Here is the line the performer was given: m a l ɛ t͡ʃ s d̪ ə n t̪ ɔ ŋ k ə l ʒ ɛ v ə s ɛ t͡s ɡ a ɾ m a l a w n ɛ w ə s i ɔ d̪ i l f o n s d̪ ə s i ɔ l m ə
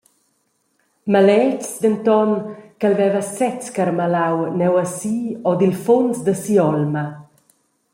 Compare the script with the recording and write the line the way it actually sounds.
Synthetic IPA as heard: m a l ɛ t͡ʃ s d̪ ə n t̪ ɔ n k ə l v ɛ v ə s ɛ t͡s k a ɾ m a l a w n ɛ w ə s i ɔ d̪ i l f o n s d̪ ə s i ɔ l m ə